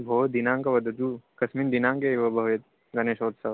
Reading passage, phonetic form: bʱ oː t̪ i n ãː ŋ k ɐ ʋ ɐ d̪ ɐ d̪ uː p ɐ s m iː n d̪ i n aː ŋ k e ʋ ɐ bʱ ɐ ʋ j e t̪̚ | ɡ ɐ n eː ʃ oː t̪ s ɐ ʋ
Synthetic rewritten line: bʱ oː d̪ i n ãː ŋ k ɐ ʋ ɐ d̪ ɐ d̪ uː k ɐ s m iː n d̪ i n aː ŋ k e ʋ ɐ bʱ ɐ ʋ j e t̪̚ | ɡ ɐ n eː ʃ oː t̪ s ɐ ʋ